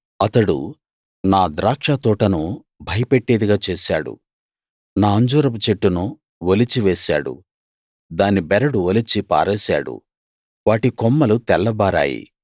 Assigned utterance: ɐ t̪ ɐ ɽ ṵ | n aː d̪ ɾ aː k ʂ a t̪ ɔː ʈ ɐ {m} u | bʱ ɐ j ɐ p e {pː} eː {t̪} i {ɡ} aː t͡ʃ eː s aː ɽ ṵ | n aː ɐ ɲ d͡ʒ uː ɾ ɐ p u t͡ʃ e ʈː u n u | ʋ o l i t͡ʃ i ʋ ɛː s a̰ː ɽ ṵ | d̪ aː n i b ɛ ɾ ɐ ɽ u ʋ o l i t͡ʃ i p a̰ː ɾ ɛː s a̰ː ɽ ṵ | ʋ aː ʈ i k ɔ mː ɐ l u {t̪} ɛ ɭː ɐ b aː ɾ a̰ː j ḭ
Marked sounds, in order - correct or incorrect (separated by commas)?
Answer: incorrect, incorrect, incorrect, correct, correct